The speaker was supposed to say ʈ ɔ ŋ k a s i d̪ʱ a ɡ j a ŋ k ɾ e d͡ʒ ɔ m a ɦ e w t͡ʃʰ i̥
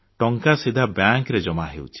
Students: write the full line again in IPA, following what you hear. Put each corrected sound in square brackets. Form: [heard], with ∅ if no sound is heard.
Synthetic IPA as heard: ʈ ɔ ŋ k a s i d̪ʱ a [b] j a ŋ k ɾ e d͡ʒ ɔ m a ɦ e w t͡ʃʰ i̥

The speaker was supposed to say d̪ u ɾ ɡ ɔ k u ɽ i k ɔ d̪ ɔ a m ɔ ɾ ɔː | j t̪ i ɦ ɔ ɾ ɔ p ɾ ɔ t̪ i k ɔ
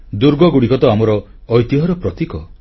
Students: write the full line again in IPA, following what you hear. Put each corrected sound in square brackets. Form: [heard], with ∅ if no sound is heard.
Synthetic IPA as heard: d̪ u ɾ ɡ ɔ [ɡ] u ɽ i k ɔ [t̪] ɔ a m ɔ ɾ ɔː | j t̪ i ɦ ɔ ɾ ɔ p ɾ ɔ t̪ i k ɔ

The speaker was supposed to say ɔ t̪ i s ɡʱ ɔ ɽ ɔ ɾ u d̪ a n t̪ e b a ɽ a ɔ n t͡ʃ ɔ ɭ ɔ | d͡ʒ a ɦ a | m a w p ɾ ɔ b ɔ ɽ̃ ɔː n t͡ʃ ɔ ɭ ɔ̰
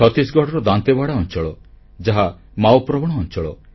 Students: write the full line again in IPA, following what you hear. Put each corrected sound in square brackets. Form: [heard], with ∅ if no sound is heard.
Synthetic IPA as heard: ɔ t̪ i s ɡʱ ɔ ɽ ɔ ɾ [ɔ] d̪ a n t̪ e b a ɽ a ɔ n t͡ʃ ɔ ɭ ɔ | d͡ʒ a ɦ a | m a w p ɾ ɔ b ɔ ɽ̃ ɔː n t͡ʃ ɔ ɭ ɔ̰

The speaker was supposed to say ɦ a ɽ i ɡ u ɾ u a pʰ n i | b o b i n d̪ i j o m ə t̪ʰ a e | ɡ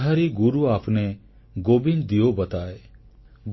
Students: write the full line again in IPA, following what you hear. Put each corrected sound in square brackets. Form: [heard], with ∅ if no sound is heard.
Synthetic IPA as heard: ɦ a [ɾ] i ɡ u ɾ u a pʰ n [e] | [ɡ] o b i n d̪ i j o [b] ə [t̪] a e | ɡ

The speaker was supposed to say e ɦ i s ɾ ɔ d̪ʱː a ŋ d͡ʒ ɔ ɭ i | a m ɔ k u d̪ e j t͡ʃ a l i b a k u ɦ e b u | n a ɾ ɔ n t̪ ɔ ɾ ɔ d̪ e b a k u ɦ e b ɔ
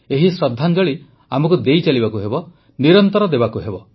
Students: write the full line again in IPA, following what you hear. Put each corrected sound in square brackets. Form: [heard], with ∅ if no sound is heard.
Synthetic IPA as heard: e ɦ i s ɾ ɔ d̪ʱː a [n] d͡ʒ ɔ ɭ i | a m ɔ k u d̪ e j t͡ʃ a l i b a k u ɦ e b [ɔ] | n [i] ɾ ɔ n t̪ ɔ ɾ ɔ d̪ e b a k u ɦ e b ɔ

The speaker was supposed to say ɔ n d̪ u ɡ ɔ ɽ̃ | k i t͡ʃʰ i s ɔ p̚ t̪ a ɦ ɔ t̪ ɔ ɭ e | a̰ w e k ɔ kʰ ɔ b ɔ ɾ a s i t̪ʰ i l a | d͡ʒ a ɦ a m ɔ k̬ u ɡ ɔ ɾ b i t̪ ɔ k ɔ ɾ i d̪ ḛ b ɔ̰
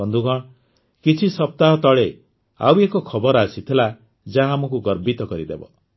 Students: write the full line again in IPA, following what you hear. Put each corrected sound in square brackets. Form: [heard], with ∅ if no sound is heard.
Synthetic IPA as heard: ɔ n d̪ u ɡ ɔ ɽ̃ | k i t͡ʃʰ i s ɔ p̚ t̪ a ɦ ɔ t̪ ɔ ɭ e | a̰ w e k ɔ kʰ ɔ b ɔ ɾ a s i t̪ʰ i l a | d͡ʒ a ɦ a m ɔ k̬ u ɡ ɔ ɾ b i t̪ ɔ k ɔ ɾ i d̪ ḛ b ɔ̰

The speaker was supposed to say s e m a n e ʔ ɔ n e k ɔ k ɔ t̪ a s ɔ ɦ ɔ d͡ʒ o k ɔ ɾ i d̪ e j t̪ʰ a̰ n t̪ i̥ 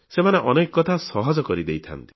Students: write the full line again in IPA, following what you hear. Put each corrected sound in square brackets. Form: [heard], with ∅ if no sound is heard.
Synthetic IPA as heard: s e m a n e ʔ ɔ n e k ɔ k ɔ [t̪ʰ] a s ɔ ɦ ɔ d͡ʒ [ɔ] k ɔ ɾ i d̪ e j t̪ʰ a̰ n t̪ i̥

